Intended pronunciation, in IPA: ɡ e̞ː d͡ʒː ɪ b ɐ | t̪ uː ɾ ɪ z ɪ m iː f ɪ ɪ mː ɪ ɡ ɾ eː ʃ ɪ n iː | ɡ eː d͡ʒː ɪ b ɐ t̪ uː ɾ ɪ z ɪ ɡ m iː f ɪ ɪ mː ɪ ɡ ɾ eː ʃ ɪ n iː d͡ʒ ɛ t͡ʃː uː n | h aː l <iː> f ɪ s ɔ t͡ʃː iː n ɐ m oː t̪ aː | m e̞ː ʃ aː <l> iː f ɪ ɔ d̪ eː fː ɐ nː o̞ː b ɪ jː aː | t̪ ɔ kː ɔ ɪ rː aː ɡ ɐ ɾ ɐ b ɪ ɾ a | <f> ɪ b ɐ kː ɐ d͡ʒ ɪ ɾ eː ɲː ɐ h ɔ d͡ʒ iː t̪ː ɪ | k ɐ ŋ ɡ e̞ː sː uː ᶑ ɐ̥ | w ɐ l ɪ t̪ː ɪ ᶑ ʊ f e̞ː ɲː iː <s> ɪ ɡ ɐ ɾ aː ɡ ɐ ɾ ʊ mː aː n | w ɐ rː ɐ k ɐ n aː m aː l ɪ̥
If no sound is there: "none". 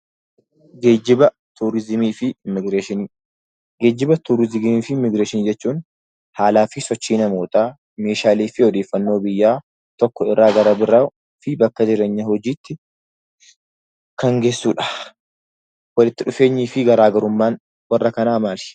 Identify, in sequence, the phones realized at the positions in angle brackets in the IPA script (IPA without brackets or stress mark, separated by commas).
aː, l, f, f